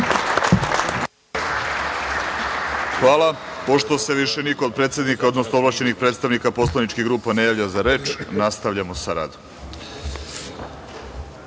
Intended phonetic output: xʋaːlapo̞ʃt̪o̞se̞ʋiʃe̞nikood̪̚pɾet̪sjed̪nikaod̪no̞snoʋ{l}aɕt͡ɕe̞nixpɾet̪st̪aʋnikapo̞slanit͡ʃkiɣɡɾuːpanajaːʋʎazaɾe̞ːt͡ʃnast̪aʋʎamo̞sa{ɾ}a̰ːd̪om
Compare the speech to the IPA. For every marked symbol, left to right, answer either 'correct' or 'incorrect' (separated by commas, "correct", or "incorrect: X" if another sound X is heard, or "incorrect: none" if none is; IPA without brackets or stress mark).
correct, correct